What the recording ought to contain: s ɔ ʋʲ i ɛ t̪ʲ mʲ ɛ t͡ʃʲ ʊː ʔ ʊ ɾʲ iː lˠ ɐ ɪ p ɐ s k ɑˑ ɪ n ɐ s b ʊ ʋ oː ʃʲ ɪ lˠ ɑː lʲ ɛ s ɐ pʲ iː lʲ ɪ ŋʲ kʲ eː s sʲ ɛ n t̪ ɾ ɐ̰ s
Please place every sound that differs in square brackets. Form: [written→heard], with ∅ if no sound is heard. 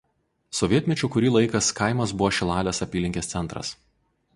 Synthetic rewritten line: s ɔ ʋʲ i ɛ t̪ʲ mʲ ɛ t͡ʃʲ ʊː [ʔ→k] ʊ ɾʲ iː lˠ ɐ ɪ [p→k] ɐ s k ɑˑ ɪ [n→m] ɐ s b ʊ ʋ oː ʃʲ ɪ lˠ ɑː lʲ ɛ s ɐ pʲ iː lʲ ɪ ŋʲ kʲ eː s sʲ ɛ n t̪ ɾ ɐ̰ s